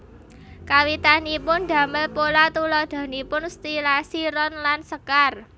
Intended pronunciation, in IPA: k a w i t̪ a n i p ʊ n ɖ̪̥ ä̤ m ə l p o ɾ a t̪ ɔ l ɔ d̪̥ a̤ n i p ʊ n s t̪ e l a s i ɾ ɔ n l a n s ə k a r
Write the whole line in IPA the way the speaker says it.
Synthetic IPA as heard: k a w i t̪ a n i p ʊ n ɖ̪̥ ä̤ m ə l p o l a t̪ u l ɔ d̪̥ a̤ n i p ʊ n s t̪ i l a s i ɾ ɔ n l a n s ə k a r